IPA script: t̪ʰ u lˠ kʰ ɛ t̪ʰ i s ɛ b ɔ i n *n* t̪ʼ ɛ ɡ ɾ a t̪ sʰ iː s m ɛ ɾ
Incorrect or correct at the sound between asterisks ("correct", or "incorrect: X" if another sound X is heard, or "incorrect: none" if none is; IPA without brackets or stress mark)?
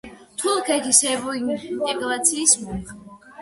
correct